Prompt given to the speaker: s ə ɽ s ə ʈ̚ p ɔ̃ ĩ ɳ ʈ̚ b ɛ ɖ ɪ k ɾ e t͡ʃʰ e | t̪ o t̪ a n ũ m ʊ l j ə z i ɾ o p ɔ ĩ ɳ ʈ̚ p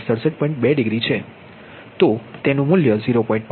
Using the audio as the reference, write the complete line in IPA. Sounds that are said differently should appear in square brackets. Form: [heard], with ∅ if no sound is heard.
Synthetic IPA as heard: s ə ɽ s ə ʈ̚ p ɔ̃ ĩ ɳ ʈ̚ b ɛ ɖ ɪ [ɡ] ɾ [i] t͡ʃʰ e | t̪ o t̪ [e] n ũ m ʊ l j ə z i ɾ o p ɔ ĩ ɳ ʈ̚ p